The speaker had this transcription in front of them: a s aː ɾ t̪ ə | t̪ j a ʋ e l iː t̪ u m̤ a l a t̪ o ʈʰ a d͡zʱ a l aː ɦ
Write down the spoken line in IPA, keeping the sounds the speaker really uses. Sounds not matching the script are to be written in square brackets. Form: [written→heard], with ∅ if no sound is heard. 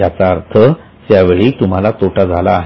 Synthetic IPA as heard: a [s→t͡s] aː ɾ [t̪→t̪ʰ] ə | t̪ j a ʋ e [l→ɭ] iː t̪ u m̤ a l a t̪ o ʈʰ a d͡zʱ a l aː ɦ